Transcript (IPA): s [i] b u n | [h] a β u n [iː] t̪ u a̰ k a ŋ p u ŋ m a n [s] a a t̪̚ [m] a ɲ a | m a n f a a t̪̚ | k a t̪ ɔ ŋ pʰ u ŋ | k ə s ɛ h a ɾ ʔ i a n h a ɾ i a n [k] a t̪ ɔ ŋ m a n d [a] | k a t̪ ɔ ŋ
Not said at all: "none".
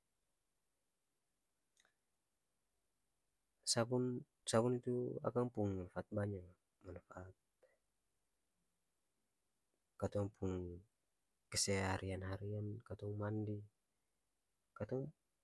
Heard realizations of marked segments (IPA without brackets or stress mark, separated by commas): a, s, i, f, b, k, i